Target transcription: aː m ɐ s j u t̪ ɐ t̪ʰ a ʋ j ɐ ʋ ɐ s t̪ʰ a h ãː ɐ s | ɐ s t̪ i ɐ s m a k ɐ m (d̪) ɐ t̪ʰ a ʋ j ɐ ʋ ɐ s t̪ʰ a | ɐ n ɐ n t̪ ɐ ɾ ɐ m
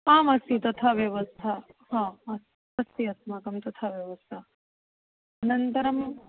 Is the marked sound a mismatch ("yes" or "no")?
yes